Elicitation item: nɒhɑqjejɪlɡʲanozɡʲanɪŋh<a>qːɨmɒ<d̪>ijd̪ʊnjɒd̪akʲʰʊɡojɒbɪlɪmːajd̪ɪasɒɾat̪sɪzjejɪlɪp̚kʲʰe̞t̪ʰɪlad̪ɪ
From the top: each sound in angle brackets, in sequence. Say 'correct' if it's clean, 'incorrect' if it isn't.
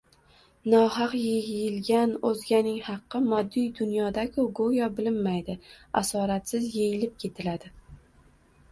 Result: incorrect: ɑ, incorrect: d̪ː

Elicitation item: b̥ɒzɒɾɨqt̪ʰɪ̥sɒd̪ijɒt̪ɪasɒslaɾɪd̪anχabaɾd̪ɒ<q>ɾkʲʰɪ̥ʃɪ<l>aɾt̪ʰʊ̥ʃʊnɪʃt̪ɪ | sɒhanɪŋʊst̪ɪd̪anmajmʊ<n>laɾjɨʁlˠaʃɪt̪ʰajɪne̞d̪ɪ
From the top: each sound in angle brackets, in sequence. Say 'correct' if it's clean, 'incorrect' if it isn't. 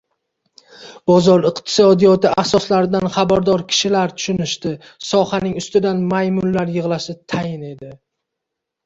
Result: incorrect: none, correct, correct

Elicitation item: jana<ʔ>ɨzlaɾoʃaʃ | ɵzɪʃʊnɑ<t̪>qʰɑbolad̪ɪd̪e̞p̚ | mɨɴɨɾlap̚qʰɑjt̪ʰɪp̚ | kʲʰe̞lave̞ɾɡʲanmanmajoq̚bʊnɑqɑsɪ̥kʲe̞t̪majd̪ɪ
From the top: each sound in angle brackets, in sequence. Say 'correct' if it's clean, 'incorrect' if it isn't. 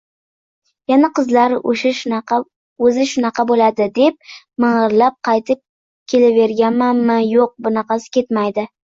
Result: incorrect: q, incorrect: none

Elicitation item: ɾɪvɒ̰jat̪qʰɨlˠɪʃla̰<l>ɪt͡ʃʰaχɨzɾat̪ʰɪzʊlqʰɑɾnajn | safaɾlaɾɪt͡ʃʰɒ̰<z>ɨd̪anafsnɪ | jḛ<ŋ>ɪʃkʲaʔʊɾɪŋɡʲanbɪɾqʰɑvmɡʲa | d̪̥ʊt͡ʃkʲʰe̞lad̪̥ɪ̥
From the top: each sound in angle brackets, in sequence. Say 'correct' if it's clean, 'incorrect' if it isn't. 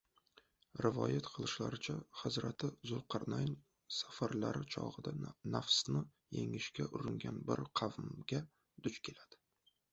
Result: incorrect: ɾ, incorrect: ʁ, correct

